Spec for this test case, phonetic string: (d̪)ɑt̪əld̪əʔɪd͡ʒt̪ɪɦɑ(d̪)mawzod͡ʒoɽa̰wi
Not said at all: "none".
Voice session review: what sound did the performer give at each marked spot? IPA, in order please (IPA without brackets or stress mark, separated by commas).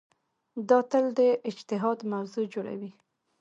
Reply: d̪, d̪